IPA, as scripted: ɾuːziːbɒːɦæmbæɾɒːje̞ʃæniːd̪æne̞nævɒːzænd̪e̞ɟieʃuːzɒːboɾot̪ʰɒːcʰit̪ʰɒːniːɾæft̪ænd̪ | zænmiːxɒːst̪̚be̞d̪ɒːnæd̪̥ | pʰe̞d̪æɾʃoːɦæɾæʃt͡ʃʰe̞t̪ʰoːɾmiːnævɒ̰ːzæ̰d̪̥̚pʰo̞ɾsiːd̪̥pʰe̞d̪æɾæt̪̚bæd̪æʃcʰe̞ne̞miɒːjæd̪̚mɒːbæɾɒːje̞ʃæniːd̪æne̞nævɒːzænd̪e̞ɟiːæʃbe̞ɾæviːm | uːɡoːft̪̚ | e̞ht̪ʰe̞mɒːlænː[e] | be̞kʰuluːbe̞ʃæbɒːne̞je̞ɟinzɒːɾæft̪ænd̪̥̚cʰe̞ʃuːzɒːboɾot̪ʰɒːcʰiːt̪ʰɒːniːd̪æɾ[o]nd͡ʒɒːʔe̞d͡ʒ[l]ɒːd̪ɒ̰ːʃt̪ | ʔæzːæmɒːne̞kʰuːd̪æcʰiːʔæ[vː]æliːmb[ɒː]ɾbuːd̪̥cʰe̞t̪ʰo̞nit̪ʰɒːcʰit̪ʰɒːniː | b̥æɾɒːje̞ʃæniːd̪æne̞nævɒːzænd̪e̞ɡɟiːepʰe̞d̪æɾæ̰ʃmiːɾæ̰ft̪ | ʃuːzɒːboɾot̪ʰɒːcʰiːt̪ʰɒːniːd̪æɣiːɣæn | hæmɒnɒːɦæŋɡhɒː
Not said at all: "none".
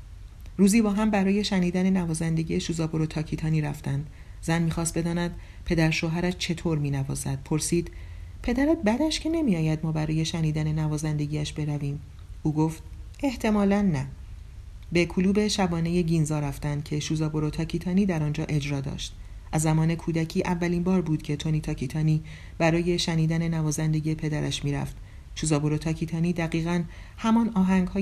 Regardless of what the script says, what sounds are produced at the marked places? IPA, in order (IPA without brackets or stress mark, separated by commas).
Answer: æ, ɒ, ɾ, vː, ɒː